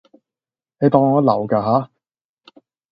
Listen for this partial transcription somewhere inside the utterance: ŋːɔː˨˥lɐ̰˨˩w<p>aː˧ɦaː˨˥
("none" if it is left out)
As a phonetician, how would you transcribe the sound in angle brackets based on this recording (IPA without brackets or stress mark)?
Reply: k